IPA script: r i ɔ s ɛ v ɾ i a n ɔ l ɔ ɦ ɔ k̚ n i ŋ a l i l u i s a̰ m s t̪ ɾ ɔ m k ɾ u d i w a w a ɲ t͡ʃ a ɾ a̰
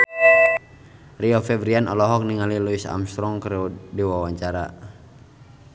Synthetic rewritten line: r i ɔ f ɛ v ɾ i a n ɔ l ɔ ɦ ɔ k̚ n i ŋ a l i l u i s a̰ m s t̪ ɾ ɔ ŋ k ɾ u d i w a w a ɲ t͡ʃ a ɾ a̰

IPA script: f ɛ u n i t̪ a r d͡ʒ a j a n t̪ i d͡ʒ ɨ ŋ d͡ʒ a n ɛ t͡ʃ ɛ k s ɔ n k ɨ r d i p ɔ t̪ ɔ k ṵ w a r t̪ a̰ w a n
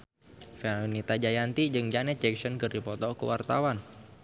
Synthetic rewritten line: f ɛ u n i t̪ a d͡ʒ a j a n t̪ i d͡ʒ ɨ ŋ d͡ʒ a n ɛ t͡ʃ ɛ k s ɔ n k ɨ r d i p ɔ t̪ ɔ k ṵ w a r t̪ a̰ w a n

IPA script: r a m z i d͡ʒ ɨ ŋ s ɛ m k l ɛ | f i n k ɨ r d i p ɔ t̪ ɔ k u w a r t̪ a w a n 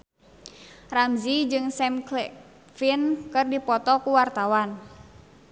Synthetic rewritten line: r a m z i d͡ʒ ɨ ŋ s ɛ m k l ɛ | f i n k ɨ r d i p ɔ t̪ ɔ k u w a r t̪ a w a n

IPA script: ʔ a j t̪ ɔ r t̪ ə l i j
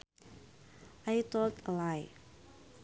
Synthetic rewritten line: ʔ a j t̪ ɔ l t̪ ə l a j

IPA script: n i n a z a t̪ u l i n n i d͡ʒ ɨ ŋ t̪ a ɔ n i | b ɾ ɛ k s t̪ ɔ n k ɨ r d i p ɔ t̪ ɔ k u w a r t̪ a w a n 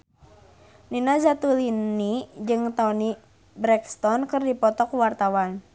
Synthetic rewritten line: n i n a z a t̪ u l i n n i d͡ʒ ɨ ŋ t̪ a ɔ n i | b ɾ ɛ k s t̪ ɔ n k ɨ r d i p ɔ t̪ ɔ k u w a r t̪ a w a n

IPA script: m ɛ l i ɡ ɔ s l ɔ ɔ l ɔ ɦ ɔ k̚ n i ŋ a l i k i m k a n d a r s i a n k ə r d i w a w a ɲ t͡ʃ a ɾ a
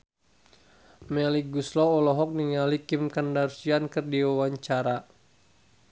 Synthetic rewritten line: m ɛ l i ɡ u s l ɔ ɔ l ɔ ɦ ɔ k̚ n i ŋ a l i k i m k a n d a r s i a n k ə r d i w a w a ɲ t͡ʃ a ɾ a

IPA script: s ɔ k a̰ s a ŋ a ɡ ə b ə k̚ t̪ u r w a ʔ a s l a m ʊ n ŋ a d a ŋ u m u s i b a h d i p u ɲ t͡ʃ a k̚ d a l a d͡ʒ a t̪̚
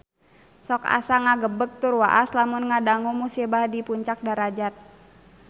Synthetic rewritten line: s ɔ k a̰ s a ŋ a ɡ ə b ə k̚ t̪ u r w a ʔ a s l a m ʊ n ŋ a d a ŋ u m u s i b a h d i p u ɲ t͡ʃ a k̚ d a ɾ a d͡ʒ a t̪̚

